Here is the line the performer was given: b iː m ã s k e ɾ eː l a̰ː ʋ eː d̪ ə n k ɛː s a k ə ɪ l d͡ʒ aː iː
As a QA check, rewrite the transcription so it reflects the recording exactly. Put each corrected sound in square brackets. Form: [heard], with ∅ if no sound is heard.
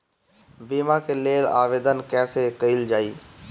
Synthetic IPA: b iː m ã [∅] k e [l] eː l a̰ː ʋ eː d̪ ə n k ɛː s [e] k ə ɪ l d͡ʒ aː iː